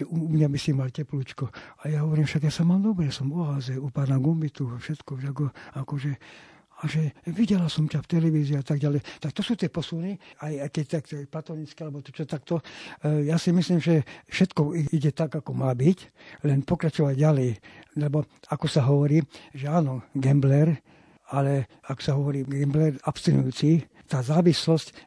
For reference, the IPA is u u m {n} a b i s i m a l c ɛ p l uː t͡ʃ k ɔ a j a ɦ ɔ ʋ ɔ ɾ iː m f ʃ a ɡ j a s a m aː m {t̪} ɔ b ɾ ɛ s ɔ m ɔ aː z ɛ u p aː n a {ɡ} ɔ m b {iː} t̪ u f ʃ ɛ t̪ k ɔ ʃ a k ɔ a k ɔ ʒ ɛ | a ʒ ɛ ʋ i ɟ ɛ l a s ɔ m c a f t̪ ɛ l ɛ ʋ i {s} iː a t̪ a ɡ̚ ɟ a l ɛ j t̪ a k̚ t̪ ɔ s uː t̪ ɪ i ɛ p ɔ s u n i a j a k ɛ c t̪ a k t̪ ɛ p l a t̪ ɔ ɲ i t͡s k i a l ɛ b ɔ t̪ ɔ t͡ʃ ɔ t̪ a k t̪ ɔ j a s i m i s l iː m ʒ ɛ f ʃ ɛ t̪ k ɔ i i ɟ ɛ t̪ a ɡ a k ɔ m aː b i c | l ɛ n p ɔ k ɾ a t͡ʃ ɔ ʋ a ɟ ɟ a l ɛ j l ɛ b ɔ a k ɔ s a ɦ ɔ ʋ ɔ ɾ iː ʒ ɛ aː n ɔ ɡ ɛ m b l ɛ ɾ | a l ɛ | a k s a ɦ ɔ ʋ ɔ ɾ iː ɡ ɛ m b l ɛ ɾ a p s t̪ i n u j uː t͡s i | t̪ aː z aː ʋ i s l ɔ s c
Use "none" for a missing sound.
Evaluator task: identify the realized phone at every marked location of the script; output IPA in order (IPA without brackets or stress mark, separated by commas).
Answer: ɲ, d̪, ɡ, i, z